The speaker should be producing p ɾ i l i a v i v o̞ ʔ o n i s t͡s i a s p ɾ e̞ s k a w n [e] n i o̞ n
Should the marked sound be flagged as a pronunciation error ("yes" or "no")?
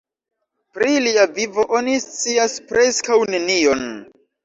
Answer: no